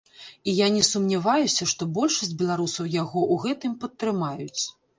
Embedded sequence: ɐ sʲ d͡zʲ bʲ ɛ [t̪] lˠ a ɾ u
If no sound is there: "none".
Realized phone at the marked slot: none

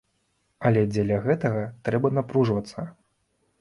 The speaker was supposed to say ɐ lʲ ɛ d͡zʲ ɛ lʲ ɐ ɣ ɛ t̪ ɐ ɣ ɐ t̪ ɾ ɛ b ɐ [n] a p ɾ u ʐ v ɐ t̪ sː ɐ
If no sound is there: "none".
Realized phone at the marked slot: n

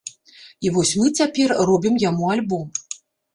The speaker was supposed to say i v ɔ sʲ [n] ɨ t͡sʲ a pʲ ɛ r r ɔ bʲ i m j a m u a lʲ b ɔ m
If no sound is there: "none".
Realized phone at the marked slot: m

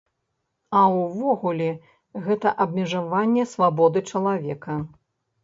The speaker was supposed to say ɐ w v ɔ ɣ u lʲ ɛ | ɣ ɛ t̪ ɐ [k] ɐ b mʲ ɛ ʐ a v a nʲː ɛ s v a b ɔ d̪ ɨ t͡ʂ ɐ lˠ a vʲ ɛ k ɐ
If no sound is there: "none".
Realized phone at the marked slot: ʔ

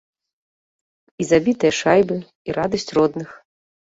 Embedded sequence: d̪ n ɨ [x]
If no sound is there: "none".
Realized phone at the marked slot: x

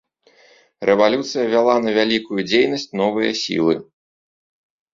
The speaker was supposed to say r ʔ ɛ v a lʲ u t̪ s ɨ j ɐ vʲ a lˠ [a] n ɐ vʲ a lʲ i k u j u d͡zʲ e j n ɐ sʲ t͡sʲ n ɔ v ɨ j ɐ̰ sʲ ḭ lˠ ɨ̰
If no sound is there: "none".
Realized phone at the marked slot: a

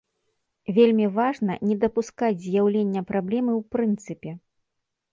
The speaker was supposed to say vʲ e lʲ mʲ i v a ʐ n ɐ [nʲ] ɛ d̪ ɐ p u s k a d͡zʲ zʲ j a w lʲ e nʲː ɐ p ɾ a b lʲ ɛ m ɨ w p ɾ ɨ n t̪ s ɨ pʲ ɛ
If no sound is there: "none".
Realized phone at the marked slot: nʲ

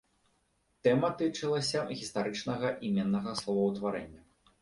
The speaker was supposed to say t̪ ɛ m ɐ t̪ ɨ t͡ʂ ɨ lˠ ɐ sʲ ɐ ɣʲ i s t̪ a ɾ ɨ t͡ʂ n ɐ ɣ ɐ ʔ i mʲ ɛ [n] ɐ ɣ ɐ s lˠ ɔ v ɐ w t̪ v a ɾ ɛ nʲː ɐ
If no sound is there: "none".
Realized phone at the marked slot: nː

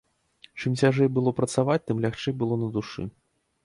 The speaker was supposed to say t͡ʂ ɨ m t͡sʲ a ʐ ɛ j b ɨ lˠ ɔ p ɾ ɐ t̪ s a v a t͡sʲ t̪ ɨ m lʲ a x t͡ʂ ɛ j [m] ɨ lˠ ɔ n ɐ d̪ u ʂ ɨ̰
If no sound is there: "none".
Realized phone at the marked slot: b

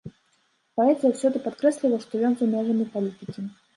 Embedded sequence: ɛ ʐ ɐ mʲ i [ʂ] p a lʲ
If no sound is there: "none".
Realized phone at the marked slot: none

